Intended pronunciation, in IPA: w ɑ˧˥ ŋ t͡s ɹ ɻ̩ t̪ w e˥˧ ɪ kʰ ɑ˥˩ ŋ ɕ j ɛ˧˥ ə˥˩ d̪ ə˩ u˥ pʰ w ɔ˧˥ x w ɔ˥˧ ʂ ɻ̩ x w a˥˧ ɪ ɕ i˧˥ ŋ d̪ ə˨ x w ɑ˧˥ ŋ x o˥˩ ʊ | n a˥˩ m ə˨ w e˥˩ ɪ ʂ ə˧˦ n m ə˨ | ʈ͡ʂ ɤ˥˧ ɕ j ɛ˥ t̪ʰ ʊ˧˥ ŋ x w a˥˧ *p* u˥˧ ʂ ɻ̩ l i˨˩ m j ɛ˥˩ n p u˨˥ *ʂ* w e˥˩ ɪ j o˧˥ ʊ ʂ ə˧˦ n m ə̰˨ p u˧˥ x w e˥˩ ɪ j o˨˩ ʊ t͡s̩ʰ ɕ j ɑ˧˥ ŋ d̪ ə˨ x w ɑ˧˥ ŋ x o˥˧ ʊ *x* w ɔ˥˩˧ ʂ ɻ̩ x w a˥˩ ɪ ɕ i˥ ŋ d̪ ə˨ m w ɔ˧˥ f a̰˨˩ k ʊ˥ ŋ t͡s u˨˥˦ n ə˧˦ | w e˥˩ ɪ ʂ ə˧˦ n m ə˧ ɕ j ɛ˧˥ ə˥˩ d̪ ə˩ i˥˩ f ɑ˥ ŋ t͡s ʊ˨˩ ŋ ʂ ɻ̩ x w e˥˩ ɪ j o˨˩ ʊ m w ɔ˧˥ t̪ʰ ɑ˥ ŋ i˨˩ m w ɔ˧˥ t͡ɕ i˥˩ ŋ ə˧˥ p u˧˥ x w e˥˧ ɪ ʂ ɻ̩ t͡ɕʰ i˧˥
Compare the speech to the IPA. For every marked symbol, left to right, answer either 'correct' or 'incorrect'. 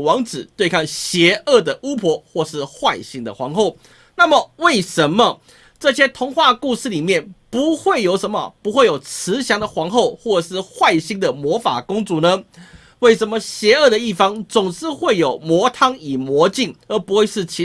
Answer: incorrect: k, incorrect: x, correct

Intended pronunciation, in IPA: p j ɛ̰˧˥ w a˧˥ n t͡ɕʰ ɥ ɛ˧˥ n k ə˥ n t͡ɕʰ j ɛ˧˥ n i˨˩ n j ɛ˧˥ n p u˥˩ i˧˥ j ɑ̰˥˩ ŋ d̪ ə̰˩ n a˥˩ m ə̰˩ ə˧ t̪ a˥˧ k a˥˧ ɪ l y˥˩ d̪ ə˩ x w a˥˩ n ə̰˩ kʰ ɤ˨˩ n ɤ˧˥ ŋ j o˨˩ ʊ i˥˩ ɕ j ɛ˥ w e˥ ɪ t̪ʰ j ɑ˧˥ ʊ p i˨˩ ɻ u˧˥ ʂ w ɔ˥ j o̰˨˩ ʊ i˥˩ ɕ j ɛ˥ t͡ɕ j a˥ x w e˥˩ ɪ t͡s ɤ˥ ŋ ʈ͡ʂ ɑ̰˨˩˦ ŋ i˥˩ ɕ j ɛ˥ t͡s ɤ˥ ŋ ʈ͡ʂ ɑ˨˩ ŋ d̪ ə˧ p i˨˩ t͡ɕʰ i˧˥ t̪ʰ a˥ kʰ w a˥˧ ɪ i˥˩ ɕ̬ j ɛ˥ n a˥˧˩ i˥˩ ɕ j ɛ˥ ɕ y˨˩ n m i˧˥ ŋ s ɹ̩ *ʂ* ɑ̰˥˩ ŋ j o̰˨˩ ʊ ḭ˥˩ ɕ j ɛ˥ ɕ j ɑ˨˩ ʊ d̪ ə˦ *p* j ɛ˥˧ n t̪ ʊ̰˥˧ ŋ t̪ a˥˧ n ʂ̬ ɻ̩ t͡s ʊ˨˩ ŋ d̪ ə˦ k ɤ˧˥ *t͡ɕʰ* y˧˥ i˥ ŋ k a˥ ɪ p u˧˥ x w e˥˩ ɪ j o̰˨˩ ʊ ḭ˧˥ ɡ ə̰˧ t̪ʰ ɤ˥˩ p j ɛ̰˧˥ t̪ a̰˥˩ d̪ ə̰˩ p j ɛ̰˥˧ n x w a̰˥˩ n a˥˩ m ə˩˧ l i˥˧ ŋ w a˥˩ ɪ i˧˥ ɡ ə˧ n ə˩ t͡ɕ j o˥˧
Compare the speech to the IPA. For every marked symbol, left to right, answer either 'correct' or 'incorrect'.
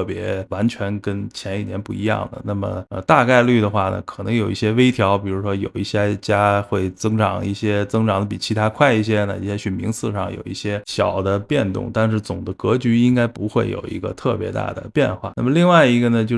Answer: correct, correct, incorrect: t͡ɕ

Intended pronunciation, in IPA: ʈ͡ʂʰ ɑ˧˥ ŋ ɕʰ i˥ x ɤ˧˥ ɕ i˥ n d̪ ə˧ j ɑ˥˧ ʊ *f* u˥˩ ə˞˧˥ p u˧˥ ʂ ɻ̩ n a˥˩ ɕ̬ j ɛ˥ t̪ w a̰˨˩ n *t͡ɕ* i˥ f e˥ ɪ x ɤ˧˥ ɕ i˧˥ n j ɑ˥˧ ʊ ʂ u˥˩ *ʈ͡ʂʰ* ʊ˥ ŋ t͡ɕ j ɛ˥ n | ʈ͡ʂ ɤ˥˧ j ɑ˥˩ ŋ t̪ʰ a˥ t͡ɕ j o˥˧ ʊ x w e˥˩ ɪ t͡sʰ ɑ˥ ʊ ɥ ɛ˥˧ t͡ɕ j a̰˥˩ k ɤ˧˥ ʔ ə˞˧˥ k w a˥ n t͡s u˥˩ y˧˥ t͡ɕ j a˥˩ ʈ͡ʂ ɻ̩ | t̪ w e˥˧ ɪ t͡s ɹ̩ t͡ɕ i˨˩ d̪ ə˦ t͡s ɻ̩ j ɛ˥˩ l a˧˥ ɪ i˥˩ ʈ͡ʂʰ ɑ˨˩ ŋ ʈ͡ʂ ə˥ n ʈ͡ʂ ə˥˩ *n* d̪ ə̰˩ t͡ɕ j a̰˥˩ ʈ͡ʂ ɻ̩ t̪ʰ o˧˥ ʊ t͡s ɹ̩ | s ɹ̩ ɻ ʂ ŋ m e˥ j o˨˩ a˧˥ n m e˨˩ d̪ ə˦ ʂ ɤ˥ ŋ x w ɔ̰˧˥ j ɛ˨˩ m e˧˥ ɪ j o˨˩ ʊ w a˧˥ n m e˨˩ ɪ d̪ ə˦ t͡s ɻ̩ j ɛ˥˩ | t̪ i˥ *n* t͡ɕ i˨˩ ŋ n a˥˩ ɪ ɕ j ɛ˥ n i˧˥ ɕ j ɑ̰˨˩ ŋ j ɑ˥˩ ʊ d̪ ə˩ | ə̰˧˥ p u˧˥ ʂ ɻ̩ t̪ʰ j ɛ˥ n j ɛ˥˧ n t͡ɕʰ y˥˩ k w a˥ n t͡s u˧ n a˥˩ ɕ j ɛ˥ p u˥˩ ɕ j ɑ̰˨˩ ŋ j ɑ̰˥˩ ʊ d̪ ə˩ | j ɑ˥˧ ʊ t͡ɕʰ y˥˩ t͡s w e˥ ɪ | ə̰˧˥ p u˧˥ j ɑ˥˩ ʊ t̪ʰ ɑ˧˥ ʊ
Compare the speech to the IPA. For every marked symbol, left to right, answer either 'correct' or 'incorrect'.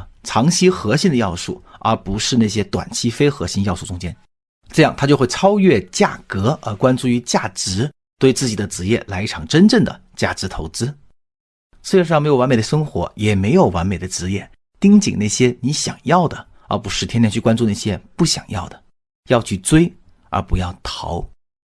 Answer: incorrect: ʂ, incorrect: t͡ɕʰ, incorrect: ʈ͡ʂ, incorrect: ŋ, incorrect: ŋ

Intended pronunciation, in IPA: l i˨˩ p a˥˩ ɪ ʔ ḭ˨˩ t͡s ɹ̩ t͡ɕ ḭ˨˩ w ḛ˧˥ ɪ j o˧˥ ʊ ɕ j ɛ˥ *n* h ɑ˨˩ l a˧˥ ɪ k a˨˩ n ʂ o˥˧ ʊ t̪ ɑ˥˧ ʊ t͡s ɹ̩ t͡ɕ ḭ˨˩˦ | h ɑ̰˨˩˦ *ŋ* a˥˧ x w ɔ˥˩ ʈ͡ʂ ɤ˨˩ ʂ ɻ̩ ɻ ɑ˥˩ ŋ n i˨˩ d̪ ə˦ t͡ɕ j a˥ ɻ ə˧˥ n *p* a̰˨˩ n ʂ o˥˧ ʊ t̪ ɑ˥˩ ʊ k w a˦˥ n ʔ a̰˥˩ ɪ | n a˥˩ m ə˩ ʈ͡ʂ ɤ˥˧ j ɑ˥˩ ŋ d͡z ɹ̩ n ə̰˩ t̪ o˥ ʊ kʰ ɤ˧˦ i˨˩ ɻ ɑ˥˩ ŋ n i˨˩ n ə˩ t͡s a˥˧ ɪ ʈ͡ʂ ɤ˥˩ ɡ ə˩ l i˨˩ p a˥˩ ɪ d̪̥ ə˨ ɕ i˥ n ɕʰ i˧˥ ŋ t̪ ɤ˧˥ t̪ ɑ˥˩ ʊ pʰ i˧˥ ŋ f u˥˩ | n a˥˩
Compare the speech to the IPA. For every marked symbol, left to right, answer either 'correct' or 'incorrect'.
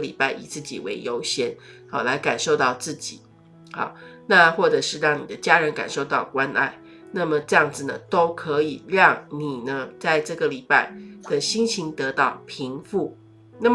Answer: correct, incorrect: n, incorrect: k

